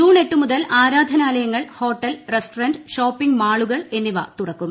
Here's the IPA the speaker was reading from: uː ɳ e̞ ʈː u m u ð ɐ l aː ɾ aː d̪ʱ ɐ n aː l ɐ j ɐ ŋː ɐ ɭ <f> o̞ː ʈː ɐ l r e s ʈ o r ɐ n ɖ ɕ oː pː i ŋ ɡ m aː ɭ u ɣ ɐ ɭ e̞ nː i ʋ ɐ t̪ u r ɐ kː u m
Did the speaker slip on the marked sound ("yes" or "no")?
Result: yes